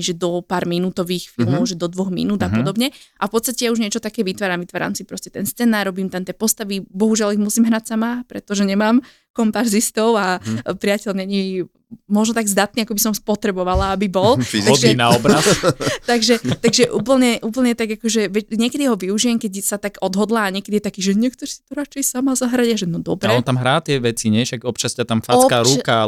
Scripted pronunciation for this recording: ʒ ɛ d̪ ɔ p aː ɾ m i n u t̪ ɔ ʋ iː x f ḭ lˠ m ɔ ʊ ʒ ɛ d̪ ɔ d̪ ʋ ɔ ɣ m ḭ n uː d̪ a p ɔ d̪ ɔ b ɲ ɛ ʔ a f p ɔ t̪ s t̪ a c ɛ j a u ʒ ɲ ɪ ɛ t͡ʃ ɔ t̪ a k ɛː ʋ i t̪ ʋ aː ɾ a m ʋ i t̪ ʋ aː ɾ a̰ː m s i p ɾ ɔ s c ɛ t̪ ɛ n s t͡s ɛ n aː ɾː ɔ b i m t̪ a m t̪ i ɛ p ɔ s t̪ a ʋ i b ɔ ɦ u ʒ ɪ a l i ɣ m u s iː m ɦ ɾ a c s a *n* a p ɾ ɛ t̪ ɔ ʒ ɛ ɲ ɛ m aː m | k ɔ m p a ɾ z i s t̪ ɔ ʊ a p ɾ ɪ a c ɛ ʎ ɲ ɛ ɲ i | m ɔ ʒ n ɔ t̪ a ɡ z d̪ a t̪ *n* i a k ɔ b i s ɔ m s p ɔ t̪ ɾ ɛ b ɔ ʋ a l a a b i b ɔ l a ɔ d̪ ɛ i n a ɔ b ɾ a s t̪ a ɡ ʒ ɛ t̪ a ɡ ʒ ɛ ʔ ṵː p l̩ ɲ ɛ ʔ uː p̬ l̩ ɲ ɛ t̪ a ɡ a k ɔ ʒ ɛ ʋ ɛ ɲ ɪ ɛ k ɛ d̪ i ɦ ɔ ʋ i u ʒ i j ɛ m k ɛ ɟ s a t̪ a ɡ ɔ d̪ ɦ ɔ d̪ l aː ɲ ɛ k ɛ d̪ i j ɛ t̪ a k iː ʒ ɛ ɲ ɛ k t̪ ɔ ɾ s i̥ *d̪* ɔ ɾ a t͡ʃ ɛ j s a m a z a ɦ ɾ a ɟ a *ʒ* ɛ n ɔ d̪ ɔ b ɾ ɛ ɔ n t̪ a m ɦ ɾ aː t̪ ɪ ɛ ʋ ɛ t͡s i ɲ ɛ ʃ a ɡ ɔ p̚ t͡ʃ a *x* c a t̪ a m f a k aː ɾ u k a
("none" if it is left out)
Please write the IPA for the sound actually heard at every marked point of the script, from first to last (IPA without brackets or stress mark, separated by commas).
m, n, t̪, ʒ, s